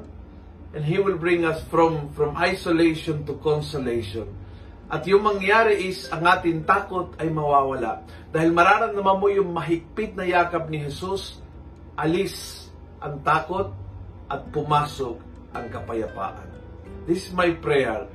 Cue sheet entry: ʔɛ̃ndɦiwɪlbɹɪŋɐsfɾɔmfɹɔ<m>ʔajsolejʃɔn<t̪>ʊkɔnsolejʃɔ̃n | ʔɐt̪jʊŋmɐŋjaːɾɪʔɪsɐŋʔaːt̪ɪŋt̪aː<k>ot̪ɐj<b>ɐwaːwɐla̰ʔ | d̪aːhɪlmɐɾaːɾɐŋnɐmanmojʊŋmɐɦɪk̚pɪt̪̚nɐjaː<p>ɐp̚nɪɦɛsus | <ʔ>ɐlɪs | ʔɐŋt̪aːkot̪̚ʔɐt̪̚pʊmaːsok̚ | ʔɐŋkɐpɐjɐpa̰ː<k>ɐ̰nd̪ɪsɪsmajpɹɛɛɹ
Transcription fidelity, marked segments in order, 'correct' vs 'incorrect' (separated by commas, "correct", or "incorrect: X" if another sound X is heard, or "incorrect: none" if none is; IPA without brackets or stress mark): correct, correct, correct, incorrect: m, incorrect: k, correct, incorrect: ʔ